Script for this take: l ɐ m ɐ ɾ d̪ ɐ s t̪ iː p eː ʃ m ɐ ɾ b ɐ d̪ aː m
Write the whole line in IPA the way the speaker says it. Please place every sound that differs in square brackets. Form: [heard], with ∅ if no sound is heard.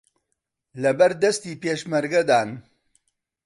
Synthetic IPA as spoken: l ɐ [b] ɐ ɾ d̪ ɐ s t̪ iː p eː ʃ m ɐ ɾ [ɡ] ɐ d̪ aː [n]